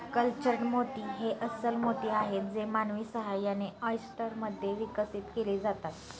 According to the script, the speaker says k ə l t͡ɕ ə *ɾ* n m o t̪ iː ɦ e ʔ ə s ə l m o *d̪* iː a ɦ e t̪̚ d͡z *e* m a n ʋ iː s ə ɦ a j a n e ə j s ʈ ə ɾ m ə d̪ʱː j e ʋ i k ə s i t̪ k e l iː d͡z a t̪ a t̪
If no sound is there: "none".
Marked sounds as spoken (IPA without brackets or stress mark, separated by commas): ɾ, t̪, e